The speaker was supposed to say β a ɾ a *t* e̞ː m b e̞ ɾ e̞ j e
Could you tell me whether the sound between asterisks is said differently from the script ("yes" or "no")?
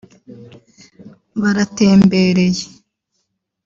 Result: no